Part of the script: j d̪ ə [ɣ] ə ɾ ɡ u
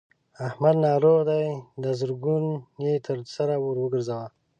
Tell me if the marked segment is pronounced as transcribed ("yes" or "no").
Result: no